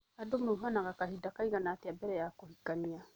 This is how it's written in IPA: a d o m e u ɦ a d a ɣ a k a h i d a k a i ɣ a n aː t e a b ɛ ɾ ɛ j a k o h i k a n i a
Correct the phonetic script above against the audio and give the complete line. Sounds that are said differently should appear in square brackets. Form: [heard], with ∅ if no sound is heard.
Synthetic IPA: a d o m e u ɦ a [n] a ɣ a k a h i d a k a i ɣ a n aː t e a b ɛ ɾ ɛ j a k o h i k a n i a